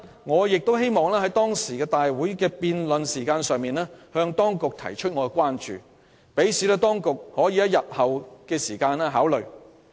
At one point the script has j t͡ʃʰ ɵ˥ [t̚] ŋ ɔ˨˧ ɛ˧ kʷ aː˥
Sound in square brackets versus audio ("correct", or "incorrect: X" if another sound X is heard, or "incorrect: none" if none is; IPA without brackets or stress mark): correct